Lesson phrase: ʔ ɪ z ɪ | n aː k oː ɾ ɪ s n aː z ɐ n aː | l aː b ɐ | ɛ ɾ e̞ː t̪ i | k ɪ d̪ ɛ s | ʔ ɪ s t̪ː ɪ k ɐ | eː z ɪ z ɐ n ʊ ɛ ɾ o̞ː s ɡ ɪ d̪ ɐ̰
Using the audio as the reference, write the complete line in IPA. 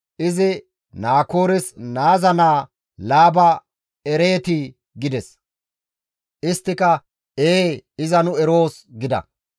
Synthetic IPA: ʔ ɪ z ɪ | n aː k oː ɾ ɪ s n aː z ɐ n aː | l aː b ɐ | ɛ ɾ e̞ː t̪ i | ɡ ɪ d̪ ɛ s | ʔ ɪ s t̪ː ɪ k ɐ | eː ɪ z ɐ n ʊ ɛ ɾ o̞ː s ɡ ɪ d̪ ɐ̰